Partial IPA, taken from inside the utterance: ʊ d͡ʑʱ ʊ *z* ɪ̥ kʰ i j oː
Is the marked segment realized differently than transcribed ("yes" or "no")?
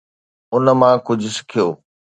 yes